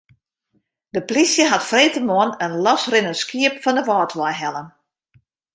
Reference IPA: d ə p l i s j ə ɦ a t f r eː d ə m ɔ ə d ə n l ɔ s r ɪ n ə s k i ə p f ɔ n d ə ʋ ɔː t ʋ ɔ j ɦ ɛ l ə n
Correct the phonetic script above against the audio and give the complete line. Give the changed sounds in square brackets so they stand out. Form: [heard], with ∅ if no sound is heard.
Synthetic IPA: d ə p l i s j ə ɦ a t f r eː [t] ə m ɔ ə [n] ə n l ɔ s r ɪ n ə s k i ə p f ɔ n d ə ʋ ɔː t ʋ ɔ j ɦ ɛ l ə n